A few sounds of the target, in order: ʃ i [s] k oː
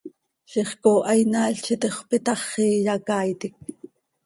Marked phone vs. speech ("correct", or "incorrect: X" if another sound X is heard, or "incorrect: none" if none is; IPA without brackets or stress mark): incorrect: χ